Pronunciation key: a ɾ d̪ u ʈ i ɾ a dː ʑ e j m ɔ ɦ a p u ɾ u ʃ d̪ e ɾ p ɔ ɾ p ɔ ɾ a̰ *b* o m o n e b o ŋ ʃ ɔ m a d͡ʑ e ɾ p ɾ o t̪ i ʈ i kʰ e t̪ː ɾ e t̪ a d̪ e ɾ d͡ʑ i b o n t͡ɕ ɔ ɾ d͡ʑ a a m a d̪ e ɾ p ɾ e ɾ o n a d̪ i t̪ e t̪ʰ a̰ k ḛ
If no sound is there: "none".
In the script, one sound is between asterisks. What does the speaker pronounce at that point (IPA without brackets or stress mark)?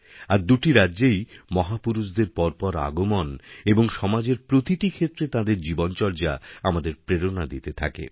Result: ɡ